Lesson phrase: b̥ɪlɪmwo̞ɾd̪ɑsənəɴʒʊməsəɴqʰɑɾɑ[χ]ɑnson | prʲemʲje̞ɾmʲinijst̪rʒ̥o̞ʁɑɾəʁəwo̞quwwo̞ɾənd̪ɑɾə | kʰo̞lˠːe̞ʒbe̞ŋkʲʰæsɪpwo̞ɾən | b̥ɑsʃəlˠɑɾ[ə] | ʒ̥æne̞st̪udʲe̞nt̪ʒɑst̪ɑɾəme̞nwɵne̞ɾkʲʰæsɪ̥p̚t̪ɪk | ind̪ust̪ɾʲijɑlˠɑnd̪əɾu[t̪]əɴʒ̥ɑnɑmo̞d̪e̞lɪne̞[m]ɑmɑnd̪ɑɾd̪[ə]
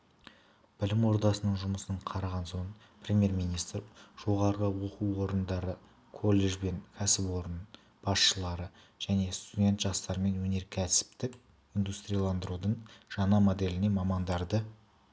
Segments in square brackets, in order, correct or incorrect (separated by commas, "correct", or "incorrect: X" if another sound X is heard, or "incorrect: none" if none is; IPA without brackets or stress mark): incorrect: ʁ, correct, incorrect: d̪, correct, correct